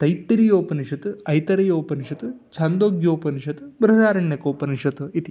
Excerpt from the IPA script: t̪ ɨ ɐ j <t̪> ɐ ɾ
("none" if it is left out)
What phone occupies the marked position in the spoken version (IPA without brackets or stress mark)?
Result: t̪